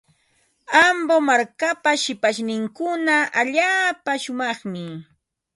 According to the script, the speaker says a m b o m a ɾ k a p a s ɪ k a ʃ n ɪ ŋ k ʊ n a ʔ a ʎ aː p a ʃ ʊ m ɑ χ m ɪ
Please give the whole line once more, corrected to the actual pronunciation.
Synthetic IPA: a m b o m a ɾ k a p a ʃ ɪ p a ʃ n ɪ ŋ k ʊ n a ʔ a ʎ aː p a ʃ ʊ m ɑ χ m ɪ